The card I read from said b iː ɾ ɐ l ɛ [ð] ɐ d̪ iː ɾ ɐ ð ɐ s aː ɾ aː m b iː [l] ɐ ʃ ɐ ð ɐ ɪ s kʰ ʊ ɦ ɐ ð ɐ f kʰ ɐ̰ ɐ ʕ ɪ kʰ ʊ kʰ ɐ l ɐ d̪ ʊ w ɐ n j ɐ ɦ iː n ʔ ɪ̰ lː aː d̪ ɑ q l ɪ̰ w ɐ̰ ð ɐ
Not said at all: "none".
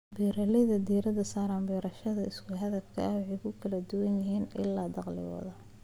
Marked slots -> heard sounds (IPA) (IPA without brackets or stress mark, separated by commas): ð, ɾ